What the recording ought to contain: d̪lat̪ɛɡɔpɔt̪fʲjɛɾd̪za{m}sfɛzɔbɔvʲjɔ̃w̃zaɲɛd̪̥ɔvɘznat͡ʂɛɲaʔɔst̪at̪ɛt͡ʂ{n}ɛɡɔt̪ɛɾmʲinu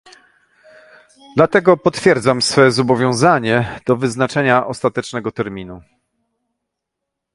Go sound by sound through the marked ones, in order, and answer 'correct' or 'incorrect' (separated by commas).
correct, correct